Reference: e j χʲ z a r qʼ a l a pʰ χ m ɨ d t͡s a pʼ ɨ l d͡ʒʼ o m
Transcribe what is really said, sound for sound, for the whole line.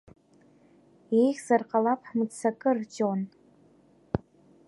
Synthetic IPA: e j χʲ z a r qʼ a l a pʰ ħ m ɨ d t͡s a kʼ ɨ r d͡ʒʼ o n